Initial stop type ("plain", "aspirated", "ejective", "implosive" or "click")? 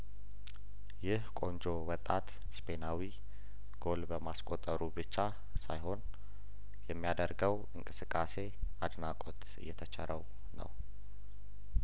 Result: ejective